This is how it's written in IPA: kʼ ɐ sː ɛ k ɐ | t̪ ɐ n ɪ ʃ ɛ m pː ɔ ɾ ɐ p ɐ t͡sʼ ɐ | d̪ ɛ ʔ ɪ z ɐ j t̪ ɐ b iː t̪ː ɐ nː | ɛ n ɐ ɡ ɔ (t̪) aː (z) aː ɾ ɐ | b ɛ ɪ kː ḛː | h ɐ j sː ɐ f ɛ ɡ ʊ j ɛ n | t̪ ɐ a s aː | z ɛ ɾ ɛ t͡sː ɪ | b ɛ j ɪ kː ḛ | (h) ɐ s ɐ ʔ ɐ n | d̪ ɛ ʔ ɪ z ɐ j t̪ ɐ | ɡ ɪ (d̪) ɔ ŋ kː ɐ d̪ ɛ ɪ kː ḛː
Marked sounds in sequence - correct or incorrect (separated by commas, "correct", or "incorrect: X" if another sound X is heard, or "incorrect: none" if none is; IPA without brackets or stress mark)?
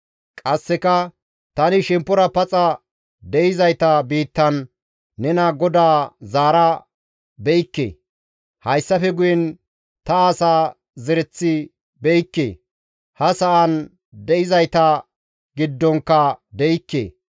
incorrect: d̪, correct, correct, incorrect: d̪ː